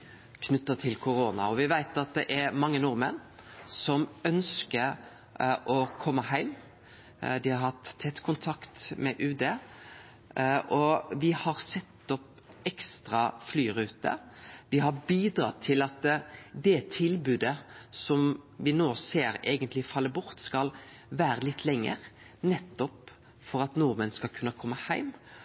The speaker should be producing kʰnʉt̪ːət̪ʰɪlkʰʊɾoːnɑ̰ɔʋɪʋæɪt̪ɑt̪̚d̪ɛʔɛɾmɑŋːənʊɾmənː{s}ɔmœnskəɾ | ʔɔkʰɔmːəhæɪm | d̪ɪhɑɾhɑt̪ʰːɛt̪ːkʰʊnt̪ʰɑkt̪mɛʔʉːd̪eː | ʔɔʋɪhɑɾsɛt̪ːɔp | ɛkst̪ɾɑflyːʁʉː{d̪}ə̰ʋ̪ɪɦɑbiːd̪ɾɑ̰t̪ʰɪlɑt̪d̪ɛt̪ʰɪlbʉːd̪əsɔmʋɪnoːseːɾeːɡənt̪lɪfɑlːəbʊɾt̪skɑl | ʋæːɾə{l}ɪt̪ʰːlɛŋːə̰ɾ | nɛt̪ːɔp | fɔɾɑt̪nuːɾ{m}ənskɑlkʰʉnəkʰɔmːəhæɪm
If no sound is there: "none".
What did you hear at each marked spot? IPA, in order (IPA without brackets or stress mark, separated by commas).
s, t̪, l, m